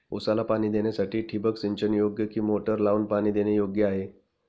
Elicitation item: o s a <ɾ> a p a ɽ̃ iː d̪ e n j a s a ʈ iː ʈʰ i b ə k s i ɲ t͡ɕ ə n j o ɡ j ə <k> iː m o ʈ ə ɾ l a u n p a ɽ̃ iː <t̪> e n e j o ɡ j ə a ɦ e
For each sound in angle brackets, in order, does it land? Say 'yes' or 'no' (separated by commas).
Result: no, yes, no